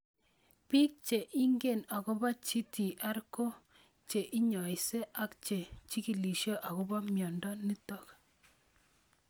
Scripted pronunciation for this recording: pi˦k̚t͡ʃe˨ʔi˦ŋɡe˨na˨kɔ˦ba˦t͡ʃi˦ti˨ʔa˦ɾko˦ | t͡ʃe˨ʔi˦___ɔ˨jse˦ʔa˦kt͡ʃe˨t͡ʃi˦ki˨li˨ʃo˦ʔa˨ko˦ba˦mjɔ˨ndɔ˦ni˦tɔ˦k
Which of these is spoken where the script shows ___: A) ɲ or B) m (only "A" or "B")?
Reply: A